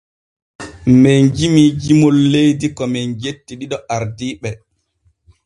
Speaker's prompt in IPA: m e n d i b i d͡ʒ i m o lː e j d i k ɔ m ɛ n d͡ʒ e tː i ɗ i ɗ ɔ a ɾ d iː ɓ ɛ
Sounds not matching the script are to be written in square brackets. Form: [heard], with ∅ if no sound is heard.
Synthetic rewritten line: m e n [d͡ʒ] i [m] i d͡ʒ i m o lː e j d i k ɔ m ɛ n d͡ʒ e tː i ɗ i ɗ ɔ a ɾ d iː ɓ ɛ